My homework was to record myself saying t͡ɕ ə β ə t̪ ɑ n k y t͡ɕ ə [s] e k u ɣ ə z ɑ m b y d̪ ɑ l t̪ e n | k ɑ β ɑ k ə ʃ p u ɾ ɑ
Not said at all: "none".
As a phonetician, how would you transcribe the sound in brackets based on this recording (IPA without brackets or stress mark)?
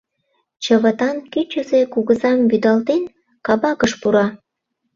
z